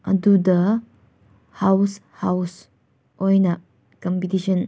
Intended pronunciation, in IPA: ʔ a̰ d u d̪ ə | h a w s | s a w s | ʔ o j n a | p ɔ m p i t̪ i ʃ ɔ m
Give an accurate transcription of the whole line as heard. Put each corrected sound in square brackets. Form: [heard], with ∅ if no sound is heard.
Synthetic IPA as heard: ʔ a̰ d u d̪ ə | h a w s | [h] a w s | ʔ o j n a | [k] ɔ m p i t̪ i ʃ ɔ [n]